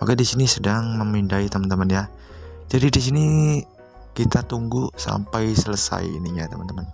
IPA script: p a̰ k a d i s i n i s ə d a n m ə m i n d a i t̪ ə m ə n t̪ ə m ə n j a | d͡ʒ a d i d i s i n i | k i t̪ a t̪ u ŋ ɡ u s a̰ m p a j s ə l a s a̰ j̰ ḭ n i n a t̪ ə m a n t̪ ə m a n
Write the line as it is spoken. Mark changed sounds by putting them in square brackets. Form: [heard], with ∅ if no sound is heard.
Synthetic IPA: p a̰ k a d i s i n i s ə d a [ŋ] m ə m i n d a i t̪ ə m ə n t̪ ə m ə n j a | d͡ʒ a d i d i s i n i | k i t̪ a t̪ u ŋ ɡ u s a̰ m p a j s ə l [ə] s a̰ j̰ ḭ n i [ɲ] a t̪ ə m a n t̪ ə m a n